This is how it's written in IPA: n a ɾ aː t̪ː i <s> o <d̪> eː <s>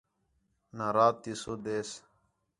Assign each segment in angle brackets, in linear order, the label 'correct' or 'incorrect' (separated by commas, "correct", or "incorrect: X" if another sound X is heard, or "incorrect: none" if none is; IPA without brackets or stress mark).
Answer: correct, correct, correct